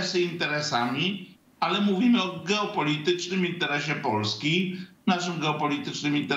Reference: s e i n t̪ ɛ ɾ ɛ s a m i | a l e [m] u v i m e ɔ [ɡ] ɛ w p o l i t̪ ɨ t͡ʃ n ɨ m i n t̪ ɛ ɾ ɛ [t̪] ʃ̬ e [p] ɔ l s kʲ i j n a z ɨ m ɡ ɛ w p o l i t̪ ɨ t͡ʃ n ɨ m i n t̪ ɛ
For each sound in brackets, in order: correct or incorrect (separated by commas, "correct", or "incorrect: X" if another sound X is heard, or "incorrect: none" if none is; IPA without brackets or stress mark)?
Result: correct, correct, incorrect: none, correct